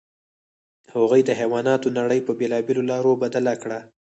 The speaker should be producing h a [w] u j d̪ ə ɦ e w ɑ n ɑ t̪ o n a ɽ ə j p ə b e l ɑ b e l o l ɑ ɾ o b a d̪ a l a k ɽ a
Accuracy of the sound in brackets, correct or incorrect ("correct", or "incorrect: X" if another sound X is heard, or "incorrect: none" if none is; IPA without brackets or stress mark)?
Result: incorrect: ɣ